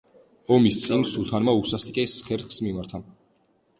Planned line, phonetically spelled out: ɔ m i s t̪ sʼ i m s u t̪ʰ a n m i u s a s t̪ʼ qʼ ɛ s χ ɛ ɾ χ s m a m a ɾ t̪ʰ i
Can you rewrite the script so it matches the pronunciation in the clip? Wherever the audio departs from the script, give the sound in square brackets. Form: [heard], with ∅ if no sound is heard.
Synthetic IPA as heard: ɔ m i s t̪ sʼ i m s u t̪ʰ a n m [a] u s a s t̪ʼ [kʼ] ɛ s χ ɛ ɾ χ s m [i] m a ɾ t̪ʰ [a]